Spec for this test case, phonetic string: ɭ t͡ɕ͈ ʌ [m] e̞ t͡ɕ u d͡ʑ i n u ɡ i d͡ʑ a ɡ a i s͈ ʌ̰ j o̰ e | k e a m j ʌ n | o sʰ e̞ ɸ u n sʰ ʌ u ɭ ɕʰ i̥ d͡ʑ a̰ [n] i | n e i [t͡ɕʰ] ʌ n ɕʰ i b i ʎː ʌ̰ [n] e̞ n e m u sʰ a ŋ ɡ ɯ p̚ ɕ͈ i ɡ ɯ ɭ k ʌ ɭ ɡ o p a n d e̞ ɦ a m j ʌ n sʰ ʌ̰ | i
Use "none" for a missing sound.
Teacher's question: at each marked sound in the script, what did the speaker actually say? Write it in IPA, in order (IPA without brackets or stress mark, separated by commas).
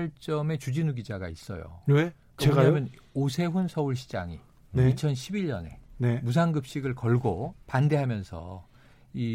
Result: m, ŋ, t͡ɕʰ, n